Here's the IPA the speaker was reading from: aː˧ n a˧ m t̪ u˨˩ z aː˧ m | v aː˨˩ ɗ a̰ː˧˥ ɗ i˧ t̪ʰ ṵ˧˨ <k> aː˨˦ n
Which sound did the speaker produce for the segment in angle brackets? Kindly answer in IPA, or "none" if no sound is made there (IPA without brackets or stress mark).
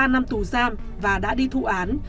ʔ